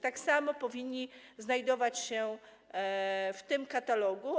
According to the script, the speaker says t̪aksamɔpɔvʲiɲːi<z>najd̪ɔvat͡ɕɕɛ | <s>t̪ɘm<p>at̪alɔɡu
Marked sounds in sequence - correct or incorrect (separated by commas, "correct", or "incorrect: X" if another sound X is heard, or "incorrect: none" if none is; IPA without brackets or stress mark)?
correct, incorrect: f, incorrect: k